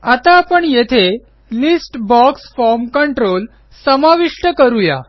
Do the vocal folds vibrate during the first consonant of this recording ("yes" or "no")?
no